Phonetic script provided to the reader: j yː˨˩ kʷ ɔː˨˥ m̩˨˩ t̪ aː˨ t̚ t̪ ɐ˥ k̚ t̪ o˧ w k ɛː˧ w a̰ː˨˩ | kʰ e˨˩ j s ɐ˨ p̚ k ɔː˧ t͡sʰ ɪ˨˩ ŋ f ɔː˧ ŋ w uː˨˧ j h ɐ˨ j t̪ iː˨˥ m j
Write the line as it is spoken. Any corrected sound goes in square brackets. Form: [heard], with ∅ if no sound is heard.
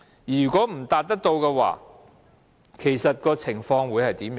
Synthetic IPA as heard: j yː˨˩ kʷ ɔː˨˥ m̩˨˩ t̪ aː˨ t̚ t̪ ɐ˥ k̚ t̪ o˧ w k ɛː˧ w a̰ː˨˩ | kʰ e˨˩ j s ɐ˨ [t̚] k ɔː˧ t͡sʰ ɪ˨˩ ŋ f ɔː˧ ŋ w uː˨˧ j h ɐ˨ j t̪ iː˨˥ m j